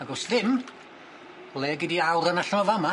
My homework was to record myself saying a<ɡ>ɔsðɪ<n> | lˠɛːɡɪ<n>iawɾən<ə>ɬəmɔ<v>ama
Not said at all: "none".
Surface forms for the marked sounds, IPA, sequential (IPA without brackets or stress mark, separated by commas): ɡ, m, d, a, v